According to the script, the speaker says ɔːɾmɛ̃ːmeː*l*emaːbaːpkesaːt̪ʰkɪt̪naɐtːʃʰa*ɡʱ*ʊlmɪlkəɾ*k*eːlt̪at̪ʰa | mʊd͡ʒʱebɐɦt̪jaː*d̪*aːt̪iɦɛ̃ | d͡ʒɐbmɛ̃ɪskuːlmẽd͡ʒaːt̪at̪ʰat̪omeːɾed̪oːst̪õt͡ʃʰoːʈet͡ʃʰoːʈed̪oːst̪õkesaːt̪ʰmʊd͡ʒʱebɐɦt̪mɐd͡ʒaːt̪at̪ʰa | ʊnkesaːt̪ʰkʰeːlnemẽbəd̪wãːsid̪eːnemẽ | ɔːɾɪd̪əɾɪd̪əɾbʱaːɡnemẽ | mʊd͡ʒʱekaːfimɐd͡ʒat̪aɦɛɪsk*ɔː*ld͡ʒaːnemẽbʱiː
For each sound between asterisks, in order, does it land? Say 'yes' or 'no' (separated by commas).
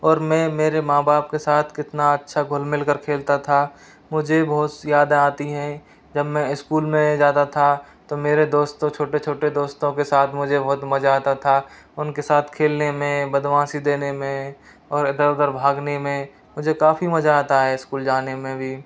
no, yes, no, yes, no